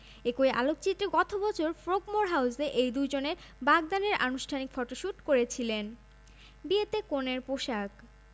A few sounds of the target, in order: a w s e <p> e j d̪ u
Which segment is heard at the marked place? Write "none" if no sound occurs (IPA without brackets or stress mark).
ʔ